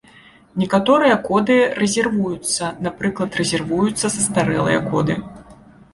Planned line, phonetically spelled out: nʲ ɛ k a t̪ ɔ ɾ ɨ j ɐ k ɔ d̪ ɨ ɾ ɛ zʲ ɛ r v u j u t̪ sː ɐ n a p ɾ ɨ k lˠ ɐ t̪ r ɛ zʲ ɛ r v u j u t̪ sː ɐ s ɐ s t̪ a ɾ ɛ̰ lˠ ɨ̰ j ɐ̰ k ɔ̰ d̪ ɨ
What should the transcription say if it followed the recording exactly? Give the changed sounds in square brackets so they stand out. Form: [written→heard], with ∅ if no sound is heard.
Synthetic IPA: nʲ ɛ k a t̪ ɔ ɾ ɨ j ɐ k ɔ d̪ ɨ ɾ ɛ zʲ ɛ r v u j u t̪ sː ɐ n a p ɾ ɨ k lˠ ɐ t̪ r ɛ zʲ ɛ r v u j u t̪ sː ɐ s ɐ s t̪ a ɾ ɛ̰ lˠ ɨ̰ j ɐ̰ k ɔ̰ d̪ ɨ